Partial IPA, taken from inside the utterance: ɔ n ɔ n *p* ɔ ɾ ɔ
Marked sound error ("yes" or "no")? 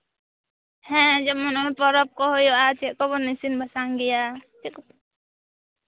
no